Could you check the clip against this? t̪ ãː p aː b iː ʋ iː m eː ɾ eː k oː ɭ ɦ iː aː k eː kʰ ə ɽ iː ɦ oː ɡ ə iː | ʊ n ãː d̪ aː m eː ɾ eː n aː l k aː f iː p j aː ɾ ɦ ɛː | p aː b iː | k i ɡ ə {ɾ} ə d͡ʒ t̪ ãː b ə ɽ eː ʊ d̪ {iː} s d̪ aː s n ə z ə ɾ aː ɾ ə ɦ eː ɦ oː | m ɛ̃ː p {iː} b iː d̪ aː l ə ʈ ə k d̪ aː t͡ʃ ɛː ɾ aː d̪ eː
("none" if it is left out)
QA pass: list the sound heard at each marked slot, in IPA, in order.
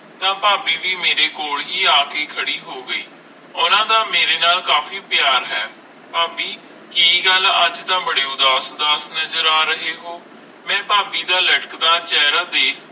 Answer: l, aː, aː

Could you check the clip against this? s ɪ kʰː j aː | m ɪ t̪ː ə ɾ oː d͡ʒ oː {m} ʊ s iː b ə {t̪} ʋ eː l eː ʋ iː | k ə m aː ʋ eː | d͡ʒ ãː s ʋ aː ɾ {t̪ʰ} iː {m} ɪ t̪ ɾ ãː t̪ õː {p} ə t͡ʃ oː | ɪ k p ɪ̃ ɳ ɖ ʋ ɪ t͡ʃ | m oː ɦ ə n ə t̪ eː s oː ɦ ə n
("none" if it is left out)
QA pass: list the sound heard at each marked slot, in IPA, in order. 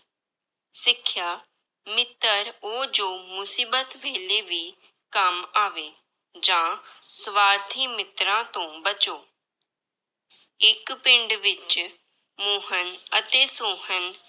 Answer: m, t̪, t̪ʰ, m, b

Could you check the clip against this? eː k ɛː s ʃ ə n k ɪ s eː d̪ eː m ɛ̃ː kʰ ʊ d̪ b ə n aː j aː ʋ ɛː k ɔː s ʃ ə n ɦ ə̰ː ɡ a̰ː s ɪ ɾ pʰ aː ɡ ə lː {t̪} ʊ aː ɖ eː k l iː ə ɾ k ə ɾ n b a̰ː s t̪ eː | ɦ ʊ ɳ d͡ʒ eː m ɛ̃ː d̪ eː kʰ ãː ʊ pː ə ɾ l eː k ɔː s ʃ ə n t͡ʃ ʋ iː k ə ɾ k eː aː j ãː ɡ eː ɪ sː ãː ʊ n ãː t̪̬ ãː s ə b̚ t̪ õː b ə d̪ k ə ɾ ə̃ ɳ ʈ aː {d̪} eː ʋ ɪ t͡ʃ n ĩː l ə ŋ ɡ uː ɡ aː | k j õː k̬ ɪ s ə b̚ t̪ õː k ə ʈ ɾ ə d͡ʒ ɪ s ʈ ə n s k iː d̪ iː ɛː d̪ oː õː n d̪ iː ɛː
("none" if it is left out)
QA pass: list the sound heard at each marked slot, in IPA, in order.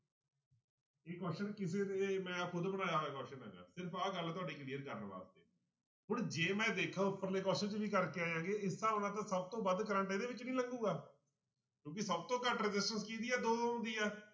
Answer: t̪, d̪

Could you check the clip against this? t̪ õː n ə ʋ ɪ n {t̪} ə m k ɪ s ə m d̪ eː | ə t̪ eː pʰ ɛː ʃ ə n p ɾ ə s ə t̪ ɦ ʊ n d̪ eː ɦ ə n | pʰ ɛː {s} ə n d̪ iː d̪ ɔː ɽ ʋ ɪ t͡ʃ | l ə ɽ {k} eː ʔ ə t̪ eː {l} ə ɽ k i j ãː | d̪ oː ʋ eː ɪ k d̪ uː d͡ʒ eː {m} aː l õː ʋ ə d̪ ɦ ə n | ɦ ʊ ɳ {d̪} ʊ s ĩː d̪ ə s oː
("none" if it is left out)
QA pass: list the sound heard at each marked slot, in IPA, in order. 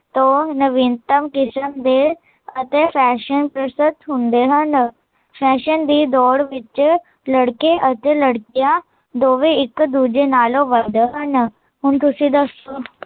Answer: t̪, ʃ, k, l, n, t̪

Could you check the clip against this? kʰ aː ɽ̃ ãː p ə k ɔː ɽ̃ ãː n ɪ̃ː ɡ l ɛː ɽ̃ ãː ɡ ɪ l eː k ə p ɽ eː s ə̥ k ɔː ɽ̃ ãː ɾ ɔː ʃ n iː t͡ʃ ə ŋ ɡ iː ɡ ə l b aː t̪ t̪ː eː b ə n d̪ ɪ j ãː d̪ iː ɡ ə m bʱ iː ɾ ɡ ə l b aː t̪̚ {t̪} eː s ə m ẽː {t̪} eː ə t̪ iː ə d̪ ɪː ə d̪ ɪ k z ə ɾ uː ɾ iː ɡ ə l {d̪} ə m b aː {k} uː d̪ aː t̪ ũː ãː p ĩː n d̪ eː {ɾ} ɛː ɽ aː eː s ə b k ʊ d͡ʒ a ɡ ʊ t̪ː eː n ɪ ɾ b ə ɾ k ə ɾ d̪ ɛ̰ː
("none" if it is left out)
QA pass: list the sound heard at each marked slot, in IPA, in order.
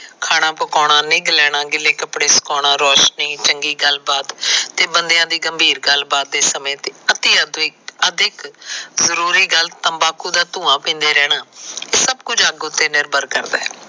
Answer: d̪, t̪, t̪, k, ɾ

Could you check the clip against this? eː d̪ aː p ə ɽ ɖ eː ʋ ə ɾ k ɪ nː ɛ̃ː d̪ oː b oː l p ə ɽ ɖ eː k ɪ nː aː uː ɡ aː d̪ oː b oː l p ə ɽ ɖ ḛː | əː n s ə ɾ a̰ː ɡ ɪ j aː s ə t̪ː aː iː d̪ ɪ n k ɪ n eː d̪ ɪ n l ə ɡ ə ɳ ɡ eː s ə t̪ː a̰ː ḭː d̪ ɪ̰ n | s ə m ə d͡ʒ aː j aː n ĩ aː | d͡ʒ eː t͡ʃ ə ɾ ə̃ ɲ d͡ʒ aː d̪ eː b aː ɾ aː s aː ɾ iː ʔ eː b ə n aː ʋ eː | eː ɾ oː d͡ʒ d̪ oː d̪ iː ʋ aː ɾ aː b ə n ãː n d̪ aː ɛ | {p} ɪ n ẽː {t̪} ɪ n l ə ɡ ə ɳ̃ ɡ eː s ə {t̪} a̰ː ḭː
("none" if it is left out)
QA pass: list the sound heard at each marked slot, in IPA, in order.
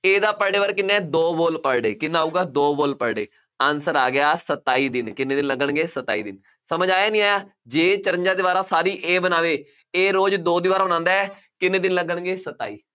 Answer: k, d̪, t̪

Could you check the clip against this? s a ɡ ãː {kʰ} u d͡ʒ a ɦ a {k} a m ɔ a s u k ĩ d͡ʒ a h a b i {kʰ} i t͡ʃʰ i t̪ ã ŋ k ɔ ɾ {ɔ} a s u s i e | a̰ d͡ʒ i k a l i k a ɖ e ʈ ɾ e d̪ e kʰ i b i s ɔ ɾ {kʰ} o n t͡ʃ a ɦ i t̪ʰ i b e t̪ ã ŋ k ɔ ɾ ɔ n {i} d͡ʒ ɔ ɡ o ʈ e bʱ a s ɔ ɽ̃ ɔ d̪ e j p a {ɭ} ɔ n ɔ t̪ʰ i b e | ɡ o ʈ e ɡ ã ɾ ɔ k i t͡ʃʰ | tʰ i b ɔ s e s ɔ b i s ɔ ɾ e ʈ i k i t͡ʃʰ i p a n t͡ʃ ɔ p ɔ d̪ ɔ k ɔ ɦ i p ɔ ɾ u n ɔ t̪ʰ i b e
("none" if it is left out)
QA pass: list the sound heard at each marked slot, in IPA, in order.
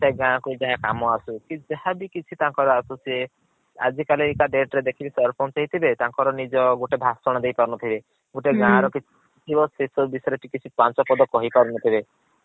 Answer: k, k, k, ɔ, pʰ, i, ɾ

